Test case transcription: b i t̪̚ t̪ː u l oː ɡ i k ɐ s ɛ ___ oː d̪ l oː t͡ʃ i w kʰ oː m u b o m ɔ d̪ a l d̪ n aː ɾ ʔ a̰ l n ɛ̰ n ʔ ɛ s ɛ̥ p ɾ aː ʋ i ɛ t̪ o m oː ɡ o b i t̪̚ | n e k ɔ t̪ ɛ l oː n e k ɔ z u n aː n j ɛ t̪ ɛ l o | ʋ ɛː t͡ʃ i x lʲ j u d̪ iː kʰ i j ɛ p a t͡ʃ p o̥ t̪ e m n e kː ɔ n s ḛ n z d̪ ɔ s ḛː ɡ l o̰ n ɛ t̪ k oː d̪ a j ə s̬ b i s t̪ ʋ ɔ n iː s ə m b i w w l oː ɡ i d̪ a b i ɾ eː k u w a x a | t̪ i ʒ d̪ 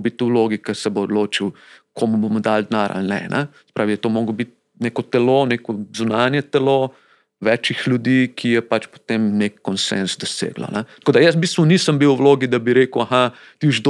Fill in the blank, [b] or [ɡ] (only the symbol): b